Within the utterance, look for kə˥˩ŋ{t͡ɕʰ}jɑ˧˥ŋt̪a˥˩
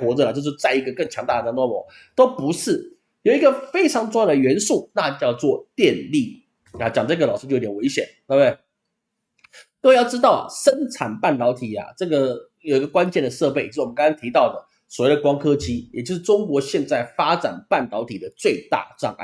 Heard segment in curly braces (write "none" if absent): t͡ɕʰ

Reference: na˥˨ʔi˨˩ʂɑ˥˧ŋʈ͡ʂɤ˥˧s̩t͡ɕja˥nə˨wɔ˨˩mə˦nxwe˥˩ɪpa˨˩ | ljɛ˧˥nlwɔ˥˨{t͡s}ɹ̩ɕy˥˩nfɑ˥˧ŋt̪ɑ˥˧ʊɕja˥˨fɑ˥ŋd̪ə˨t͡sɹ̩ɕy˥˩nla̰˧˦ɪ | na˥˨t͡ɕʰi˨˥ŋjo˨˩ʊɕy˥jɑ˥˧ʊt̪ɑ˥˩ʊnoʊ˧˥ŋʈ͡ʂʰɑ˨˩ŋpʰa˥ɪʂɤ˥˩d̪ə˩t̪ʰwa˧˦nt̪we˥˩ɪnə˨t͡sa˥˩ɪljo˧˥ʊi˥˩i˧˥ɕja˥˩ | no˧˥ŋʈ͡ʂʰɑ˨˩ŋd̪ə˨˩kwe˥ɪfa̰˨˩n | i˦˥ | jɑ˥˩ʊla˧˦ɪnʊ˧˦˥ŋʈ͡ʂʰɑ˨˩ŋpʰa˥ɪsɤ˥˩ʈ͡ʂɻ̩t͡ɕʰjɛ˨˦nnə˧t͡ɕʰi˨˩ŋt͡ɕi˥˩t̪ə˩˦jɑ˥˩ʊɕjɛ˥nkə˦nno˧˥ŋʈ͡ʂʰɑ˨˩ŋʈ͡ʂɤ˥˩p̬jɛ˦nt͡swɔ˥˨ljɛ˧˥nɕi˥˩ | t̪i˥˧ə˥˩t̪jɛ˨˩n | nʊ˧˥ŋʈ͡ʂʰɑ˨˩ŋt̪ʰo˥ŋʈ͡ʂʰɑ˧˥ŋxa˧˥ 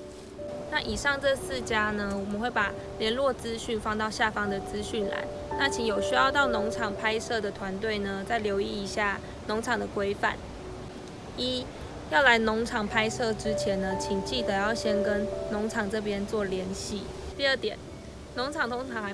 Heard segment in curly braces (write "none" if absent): t͡s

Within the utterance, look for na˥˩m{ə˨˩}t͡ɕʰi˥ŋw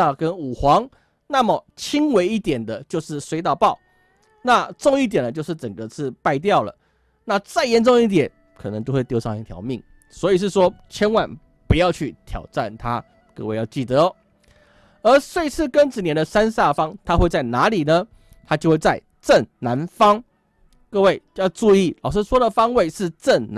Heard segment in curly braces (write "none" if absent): ə˨˩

